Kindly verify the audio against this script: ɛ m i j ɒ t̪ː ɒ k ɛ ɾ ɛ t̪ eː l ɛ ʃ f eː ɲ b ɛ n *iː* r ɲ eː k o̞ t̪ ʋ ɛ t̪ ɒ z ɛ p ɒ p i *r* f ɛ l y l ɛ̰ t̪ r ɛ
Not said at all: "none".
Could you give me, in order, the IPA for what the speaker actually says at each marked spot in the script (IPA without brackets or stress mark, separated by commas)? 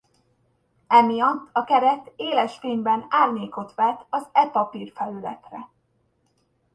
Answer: aː, r